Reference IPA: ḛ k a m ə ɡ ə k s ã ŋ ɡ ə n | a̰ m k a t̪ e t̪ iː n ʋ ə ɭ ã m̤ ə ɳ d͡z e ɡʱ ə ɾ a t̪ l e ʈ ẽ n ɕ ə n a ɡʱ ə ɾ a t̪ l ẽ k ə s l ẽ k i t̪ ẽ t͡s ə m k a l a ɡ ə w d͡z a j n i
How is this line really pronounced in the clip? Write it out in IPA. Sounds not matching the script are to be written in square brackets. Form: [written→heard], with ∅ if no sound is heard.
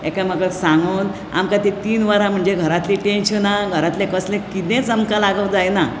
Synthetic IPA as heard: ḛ k a m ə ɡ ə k s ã ŋ ɡ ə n | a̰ m k a t̪ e t̪ iː n ʋ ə [ɭ→ɾ] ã m̤ ə ɳ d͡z e ɡʱ ə ɾ a t̪ l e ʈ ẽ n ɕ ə n a ɡʱ ə ɾ a t̪ l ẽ k ə s l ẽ k i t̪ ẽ t͡s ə m k a l a ɡ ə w d͡z a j n [i→a]

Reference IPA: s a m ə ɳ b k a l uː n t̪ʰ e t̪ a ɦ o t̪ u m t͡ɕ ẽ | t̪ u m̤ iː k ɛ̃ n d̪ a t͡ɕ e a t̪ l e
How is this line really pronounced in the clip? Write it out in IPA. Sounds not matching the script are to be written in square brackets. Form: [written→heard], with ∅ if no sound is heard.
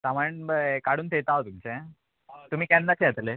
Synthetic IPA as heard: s a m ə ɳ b k a [l→ɽ] uː n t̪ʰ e t̪ a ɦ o t̪ u m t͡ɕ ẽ | t̪ u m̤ iː k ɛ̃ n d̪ a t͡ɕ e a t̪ l e

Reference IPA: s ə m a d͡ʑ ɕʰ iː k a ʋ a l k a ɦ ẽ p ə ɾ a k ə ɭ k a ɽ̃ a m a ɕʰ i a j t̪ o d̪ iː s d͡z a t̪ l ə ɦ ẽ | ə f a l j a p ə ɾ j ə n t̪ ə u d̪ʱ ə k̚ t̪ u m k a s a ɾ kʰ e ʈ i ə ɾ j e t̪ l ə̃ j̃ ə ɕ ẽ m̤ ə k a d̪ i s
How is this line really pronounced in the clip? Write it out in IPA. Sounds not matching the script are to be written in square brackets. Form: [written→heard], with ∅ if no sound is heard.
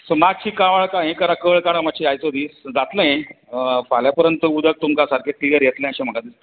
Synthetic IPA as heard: s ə m a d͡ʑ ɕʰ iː k a ʋ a [l→ɭ] k a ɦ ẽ [p→k] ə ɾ a k ə ɭ k a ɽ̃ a m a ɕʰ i a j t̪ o d̪ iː s d͡z a t̪ l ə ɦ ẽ | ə f a l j a p ə ɾ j ə n t̪ ə u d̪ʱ ə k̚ t̪ u m k a s a ɾ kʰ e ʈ i ə ɾ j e t̪ l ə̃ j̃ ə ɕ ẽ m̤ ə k a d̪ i s

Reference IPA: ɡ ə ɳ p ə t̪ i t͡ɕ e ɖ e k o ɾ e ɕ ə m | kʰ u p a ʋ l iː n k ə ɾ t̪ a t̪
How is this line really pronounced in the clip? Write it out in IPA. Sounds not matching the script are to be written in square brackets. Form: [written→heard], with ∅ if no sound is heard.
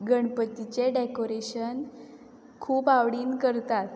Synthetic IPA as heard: ɡ ə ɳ p ə t̪ i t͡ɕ e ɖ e k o ɾ e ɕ ə [m→n] | kʰ [u→uː] p a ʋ [l→ɽ] iː n k ə ɾ t̪ a t̪

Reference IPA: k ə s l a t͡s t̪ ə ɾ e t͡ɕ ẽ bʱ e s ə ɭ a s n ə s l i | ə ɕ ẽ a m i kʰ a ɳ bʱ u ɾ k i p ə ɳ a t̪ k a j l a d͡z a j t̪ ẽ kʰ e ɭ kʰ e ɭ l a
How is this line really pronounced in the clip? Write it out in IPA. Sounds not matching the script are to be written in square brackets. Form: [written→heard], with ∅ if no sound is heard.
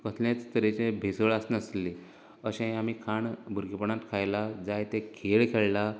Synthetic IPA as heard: k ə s l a t͡s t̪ ə ɾ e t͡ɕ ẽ bʱ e s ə ɭ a s n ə s l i | ə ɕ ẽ a m i kʰ a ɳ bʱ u ɾ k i p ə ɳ a t̪ [k→kʰ] a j l a d͡z a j t̪ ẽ kʰ e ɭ kʰ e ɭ l a

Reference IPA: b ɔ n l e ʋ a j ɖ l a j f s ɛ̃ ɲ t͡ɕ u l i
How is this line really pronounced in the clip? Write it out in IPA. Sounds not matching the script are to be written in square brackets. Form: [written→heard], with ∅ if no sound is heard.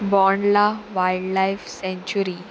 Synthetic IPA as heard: b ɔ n l [e→a] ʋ a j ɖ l a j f s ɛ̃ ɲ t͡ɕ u [l→ɾ] i

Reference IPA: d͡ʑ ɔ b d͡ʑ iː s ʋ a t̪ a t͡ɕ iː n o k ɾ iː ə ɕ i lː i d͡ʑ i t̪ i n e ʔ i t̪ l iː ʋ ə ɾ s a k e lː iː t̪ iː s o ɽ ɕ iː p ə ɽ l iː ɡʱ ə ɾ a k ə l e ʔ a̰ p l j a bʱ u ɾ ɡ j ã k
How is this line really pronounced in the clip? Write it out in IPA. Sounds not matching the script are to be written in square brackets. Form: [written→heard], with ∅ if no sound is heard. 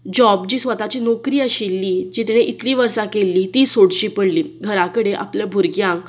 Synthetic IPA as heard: d͡ʑ ɔ b d͡ʑ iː s ʋ [a→ə] t̪ a t͡ɕ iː n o k ɾ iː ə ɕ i lː i d͡ʑ i t̪ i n e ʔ i t̪ l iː ʋ ə ɾ s a k e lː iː t̪ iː s o ɽ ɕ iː p ə ɽ l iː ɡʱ ə ɾ a k ə [l→ɽ] e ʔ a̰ p l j a bʱ u ɾ ɡ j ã k

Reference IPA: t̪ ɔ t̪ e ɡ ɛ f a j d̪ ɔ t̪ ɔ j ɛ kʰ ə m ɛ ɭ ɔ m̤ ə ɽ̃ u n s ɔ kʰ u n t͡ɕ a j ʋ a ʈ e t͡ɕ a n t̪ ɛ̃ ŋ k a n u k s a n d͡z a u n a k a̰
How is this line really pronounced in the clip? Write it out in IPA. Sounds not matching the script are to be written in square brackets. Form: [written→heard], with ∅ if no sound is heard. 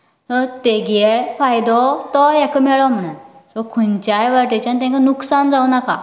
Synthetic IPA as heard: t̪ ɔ t̪ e ɡ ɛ f a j d̪ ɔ t̪ ɔ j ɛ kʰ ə m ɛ ɭ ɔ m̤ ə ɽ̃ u n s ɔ kʰ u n t͡ɕ a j ʋ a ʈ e t͡ɕ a n t̪ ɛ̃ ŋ k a n u k s a n d͡z a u n a k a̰

